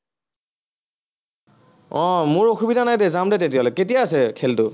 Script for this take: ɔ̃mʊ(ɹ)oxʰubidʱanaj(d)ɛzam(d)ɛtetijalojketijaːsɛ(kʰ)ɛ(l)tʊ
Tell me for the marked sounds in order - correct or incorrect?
correct, correct, correct, correct, correct

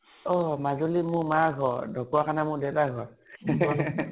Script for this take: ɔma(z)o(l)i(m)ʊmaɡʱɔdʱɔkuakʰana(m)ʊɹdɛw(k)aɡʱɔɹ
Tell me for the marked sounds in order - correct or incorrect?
correct, correct, correct, correct, incorrect: t

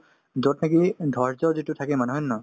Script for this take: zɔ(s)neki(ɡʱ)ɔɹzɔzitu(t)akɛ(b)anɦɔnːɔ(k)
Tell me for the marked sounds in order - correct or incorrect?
incorrect: t, incorrect: dʱ, incorrect: tʰ, incorrect: m, incorrect: none

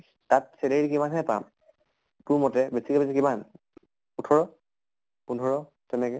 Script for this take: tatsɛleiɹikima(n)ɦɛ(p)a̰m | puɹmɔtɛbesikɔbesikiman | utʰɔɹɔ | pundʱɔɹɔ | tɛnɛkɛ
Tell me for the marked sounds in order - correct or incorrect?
correct, correct

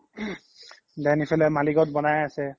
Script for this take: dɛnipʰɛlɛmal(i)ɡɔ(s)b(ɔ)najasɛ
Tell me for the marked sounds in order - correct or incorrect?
correct, incorrect: t, correct

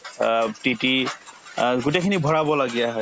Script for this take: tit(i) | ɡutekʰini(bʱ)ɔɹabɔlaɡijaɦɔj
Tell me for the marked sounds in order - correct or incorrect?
correct, correct

